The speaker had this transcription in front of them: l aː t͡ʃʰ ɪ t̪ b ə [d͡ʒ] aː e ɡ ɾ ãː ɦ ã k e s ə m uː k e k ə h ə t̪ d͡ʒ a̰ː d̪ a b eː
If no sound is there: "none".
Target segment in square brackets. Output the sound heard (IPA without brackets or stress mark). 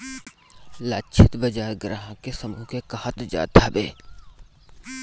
d͡ʒ